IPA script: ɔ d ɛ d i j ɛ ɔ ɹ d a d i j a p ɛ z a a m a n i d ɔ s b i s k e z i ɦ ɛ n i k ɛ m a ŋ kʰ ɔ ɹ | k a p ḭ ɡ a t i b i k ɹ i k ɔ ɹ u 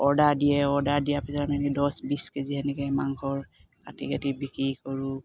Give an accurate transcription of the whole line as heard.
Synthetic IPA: ɔ d a d i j ɛ ɔ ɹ d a d i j a p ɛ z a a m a n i d ɔ s b i s k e z i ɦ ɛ n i k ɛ m a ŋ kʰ ɔ ɹ | k a t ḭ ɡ a t i b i k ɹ i k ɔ ɹ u